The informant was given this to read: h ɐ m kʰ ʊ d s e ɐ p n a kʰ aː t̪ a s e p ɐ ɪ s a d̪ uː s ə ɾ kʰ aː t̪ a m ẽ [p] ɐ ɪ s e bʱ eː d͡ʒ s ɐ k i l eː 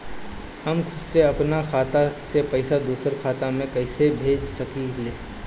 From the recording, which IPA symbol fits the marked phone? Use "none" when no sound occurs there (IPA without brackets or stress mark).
k